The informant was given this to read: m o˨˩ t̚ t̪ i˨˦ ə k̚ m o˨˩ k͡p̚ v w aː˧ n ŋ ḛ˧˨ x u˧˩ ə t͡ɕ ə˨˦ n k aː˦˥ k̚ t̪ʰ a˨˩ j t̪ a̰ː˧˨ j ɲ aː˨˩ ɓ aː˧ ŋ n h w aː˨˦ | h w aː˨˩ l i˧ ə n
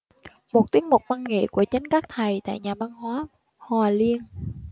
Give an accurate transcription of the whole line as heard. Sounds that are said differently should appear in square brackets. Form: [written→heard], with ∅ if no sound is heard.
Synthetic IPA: m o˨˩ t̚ t̪ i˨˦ ə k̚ m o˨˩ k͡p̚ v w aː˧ n ŋ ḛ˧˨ [x→k] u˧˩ ə t͡ɕ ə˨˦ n k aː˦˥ k̚ t̪ʰ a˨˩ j t̪ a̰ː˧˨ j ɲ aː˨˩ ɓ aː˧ [ŋ→∅] n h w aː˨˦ | h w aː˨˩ l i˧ ə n

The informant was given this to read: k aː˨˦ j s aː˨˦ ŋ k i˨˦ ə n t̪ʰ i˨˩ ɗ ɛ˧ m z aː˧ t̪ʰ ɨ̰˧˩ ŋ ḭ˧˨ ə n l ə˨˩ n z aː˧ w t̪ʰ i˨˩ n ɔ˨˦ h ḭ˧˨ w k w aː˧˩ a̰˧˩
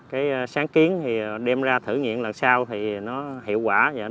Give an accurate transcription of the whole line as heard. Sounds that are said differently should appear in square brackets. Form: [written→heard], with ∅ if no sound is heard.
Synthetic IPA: k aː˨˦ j s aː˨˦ ŋ k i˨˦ ə n t̪ʰ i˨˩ ɗ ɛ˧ m z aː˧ t̪ʰ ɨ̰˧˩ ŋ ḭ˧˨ ə n l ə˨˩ n [z→s] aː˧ w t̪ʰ i˨˩ n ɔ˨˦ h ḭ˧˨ w k w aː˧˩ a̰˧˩

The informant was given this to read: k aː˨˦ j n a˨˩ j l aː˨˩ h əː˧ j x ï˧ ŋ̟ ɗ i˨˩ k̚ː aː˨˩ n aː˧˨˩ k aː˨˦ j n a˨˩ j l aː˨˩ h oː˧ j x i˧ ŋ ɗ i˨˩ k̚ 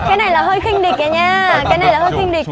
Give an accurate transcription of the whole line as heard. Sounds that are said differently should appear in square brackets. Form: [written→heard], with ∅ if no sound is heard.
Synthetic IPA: k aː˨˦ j n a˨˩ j l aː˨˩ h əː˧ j x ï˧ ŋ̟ ɗ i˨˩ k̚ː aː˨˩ [n→ɲ] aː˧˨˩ k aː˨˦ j n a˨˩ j l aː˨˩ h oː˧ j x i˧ ŋ ɗ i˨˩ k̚

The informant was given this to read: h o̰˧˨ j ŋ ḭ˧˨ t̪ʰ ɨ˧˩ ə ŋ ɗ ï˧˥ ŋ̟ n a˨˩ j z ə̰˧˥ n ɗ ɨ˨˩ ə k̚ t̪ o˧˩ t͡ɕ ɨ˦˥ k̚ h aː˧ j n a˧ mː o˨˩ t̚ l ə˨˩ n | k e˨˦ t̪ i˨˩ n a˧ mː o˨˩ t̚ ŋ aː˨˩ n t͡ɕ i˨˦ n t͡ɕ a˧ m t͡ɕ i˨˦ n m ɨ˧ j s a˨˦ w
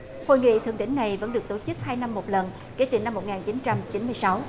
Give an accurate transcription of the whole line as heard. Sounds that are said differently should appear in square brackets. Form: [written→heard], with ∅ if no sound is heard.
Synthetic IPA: h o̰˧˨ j ŋ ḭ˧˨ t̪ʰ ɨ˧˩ ə ŋ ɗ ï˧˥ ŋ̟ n a˨˩ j [z→v] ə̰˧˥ n ɗ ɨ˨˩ ə k̚ t̪ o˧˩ t͡ɕ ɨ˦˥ k̚ h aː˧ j n a˧ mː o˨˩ t̚ l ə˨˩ n | k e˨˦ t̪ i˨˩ n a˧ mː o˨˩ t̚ ŋ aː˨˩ n t͡ɕ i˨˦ n t͡ɕ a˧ m t͡ɕ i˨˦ n m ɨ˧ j s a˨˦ w

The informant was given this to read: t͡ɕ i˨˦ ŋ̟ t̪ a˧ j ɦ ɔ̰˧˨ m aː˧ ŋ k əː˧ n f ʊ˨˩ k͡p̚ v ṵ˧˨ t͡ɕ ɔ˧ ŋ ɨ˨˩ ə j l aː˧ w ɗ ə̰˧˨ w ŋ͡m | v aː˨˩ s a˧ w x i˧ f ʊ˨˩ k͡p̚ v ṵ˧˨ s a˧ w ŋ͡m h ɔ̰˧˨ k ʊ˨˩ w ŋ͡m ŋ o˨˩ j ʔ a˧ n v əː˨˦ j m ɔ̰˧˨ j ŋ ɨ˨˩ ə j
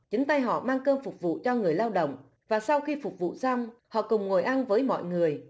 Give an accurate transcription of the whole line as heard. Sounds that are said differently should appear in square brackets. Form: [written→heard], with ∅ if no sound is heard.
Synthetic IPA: t͡ɕ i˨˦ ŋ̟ t̪ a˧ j ɦ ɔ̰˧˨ m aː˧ ŋ k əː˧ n f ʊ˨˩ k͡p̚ v ṵ˧˨ t͡ɕ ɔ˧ ŋ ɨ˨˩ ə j l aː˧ w ɗ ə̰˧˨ w ŋ͡m | v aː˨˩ s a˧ w x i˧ f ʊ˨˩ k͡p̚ v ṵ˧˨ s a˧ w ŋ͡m h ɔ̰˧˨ k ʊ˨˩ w ŋ͡m ŋ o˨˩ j ʔ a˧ n v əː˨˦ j m ɔ̰˧˨ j ŋ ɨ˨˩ ə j

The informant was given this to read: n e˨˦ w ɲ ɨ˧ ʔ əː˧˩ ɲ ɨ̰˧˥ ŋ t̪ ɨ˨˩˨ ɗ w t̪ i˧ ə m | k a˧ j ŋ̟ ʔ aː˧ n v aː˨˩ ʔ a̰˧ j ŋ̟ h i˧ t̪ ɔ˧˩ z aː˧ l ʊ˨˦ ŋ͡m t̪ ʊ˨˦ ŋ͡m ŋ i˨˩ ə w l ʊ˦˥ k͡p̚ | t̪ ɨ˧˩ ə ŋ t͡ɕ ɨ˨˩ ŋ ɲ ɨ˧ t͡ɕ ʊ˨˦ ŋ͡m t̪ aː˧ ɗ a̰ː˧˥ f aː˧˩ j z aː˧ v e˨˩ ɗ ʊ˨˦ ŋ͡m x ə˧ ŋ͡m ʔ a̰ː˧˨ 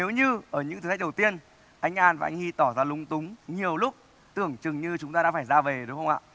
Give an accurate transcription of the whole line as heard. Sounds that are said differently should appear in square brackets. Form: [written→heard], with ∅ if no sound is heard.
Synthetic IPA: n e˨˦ w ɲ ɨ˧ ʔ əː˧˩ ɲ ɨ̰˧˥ ŋ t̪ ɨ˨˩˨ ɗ w t̪ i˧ ə [m→n] | [k→ʔ] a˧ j ŋ̟ ʔ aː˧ n v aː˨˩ ʔ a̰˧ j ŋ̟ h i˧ t̪ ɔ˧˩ z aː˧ l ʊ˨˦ ŋ͡m t̪ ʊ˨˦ ŋ͡m [ŋ→ɲ] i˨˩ ə w l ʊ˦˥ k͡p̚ | t̪ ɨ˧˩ ə ŋ t͡ɕ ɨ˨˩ ŋ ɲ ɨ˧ t͡ɕ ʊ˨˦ ŋ͡m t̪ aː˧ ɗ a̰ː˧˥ f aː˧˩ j z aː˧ v e˨˩ ɗ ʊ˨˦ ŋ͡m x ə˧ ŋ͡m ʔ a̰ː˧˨

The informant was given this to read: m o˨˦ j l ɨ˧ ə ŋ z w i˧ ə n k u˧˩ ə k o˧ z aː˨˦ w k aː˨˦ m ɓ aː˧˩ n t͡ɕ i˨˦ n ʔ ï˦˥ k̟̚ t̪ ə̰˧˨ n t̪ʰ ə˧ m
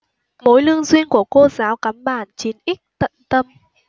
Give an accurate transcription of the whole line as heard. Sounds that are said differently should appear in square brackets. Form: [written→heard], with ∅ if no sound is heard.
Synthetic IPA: m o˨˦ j l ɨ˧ ə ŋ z w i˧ ə n k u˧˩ ə k o˧ z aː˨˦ w k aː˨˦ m ɓ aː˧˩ n t͡ɕ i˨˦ n ʔ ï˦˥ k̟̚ t̪ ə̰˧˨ n [t̪ʰ→t̪] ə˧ m

